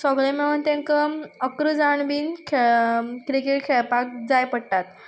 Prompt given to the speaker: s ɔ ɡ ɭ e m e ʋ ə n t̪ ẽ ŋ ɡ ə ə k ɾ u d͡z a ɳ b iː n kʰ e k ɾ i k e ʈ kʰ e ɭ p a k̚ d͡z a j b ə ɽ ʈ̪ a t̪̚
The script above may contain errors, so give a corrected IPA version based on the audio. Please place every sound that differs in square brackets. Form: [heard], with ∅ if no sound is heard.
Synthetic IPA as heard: s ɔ ɡ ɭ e m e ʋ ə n t̪ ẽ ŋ [k] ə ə k ɾ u d͡z a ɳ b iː n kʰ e k ɾ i k e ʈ kʰ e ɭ p a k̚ d͡z a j [p] ə ɽ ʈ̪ a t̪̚